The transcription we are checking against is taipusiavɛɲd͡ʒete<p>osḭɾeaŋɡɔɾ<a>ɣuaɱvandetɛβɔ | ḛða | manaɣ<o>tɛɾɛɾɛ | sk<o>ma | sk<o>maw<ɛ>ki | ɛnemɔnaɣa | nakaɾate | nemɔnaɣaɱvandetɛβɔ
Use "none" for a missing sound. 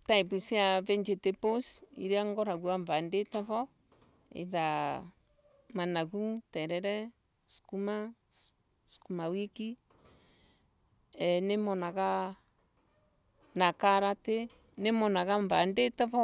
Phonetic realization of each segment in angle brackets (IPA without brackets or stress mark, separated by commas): p, a, u, u, u, i